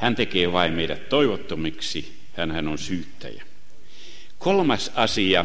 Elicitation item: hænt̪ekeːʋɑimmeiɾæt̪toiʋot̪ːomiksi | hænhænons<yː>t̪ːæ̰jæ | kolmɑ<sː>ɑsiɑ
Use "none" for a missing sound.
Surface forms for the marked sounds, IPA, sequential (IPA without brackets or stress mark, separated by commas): yː, s